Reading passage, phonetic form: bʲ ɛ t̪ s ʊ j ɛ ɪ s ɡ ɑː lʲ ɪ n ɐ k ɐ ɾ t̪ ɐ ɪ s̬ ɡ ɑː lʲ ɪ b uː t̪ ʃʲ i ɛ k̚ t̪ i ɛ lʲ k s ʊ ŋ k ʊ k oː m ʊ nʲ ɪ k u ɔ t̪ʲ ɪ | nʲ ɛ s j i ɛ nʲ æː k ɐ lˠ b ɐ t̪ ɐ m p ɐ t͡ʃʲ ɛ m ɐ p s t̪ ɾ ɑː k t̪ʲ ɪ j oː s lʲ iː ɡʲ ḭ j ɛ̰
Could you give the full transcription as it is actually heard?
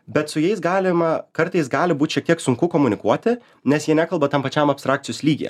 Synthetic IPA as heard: bʲ ɛ t̪ s ʊ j ɛ ɪ s ɡ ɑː lʲ ɪ m ɐ k ɐ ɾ t̪ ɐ ɪ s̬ ɡ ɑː lʲ ɪ b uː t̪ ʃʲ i ɛ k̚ t̪ i ɛ k s ʊ ŋ k ʊ k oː m ʊ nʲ ɪ k u ɔ t̪ʲ ɪ | nʲ ɛ s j i ɛ nʲ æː k ɐ lˠ b ɐ t̪ ɐ m p ɐ t͡ʃʲ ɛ m ɐ p s t̪ ɾ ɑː k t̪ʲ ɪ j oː s lʲ iː ɡʲ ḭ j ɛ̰